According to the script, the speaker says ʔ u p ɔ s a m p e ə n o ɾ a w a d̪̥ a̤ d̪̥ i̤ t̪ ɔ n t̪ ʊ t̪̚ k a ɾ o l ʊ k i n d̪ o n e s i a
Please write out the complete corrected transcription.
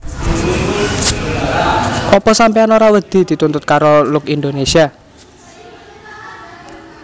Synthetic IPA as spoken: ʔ ɔ p ɔ s a m p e a n o ɾ a w ə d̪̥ i̤ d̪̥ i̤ t̪ u n t̪ ʊ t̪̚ k a ɾ o l ʊ k i n d̪ o n e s i a